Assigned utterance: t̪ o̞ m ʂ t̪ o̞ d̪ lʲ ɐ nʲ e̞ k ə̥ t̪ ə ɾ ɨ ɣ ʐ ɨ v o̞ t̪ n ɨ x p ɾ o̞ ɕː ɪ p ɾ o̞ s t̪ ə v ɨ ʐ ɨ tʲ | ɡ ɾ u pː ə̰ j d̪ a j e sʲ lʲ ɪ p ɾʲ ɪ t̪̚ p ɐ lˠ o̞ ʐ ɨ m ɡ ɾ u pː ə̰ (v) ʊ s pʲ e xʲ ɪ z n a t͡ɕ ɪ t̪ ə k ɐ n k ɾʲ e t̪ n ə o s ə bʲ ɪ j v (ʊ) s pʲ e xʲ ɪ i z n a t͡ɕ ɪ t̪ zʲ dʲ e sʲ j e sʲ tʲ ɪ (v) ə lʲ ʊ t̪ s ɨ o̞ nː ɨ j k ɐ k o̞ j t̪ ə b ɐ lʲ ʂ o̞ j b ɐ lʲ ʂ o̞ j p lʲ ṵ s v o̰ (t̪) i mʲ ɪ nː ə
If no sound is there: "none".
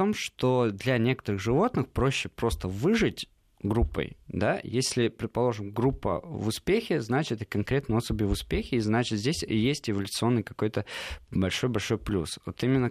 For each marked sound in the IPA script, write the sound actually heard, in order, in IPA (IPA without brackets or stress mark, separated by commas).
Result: v, ʊ, v, t̪